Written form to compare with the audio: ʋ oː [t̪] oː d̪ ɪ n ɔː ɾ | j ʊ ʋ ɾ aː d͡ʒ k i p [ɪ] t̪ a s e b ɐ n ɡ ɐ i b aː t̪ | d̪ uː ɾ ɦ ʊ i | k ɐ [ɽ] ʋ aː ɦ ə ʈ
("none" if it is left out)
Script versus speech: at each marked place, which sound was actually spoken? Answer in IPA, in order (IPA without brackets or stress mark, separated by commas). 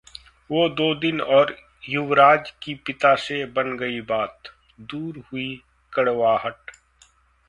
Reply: d̪, ɪ, ɽ